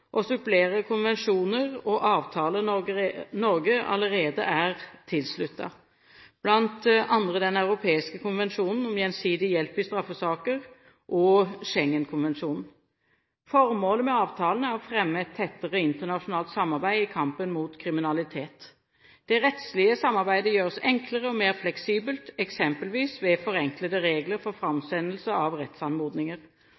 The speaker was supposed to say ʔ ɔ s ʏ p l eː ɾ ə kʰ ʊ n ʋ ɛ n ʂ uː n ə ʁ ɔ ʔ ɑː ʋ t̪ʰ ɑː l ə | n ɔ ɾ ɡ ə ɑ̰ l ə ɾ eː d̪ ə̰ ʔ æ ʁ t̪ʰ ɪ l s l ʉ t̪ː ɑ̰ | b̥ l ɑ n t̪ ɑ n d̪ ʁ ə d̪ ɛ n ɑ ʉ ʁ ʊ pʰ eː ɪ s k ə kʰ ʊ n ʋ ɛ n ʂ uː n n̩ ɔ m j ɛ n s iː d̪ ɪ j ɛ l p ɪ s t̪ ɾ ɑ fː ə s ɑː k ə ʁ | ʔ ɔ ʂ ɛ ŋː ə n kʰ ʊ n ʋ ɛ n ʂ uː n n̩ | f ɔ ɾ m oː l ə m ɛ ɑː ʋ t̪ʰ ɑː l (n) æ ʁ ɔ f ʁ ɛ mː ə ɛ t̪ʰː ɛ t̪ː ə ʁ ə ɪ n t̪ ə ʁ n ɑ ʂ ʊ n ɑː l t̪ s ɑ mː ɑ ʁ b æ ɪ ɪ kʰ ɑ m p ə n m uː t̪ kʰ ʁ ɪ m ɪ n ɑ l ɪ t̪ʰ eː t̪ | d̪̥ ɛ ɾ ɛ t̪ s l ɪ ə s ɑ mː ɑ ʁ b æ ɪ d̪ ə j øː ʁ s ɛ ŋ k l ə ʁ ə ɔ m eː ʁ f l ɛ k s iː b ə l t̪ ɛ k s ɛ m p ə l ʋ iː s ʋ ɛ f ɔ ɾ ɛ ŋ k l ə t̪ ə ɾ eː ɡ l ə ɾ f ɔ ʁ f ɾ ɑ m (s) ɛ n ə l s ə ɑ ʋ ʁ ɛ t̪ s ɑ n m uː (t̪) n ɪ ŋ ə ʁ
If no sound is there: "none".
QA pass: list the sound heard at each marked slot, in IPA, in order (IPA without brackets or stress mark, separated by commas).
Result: n, s, d̪